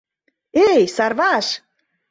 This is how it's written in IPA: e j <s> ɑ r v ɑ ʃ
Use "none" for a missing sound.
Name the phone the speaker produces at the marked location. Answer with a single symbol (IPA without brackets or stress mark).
s